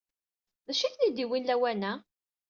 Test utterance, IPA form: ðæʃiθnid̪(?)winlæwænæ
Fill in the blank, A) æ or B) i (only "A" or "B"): B